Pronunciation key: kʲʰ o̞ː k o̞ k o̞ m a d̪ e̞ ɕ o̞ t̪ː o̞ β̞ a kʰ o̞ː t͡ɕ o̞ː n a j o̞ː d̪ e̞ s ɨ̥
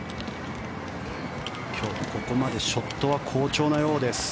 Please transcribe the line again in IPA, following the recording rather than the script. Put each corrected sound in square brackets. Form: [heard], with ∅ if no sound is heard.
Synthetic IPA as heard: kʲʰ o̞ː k o̞ k o̞ m a d̪ e̞ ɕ o̞ t̪ː o̞ β̞ a kʰ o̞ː t͡ɕ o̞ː n a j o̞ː d̪ e̞ s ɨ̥